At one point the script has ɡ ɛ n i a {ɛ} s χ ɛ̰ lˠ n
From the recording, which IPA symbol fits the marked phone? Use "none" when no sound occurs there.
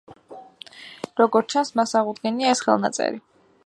ɛ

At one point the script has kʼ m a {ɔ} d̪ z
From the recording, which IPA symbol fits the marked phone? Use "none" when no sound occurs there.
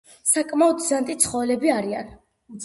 ɔ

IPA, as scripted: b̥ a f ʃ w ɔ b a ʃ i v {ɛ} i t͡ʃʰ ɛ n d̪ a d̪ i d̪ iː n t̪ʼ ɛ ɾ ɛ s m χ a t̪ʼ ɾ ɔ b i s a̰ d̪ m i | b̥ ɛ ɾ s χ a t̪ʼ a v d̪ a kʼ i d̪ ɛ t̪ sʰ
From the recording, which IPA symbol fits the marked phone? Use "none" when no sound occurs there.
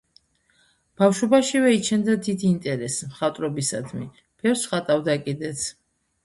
ɛ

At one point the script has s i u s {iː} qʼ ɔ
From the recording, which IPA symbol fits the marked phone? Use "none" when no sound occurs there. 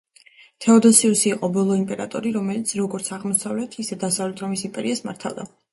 iː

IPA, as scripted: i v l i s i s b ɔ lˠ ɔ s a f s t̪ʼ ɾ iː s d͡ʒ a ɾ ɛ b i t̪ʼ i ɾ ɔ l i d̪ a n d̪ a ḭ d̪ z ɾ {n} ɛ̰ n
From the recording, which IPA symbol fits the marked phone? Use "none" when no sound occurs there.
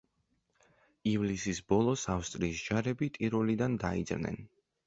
n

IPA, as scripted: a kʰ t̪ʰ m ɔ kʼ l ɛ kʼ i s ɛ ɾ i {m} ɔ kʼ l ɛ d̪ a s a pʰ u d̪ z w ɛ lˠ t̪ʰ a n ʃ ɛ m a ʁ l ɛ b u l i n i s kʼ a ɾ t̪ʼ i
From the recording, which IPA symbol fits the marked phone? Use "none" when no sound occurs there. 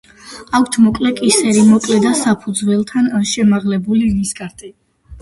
m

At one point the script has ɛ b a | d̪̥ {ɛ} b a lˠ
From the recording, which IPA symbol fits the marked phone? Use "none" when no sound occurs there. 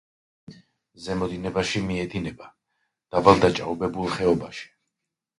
a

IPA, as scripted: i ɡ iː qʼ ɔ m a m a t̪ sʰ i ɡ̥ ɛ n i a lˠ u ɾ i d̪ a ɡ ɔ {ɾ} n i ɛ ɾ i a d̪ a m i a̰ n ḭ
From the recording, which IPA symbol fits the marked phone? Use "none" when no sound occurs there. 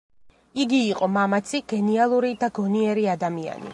none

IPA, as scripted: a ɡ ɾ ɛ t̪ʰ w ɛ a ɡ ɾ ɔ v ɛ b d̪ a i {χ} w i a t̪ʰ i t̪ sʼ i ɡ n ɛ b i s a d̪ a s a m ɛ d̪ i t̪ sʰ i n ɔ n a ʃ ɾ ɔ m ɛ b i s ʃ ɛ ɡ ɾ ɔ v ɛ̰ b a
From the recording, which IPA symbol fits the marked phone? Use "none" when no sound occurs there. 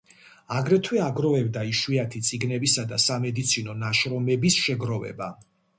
ʃ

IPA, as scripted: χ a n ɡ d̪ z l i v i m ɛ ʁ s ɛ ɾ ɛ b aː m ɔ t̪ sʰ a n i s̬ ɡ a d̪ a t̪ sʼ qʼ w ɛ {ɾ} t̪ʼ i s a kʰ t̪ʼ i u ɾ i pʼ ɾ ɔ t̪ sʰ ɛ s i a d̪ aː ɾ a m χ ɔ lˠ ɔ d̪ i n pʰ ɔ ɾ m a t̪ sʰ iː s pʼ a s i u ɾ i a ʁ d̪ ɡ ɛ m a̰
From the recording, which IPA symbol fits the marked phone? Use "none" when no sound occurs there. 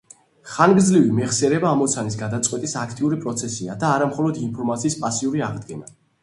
none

